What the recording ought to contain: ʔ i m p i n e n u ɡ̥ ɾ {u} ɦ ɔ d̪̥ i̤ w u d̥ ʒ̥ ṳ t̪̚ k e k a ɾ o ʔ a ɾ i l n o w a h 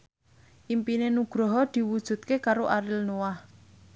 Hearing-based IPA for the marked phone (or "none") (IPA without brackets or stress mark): ɔ